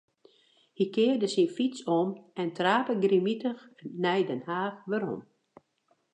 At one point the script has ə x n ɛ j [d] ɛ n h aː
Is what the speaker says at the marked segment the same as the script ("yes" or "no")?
yes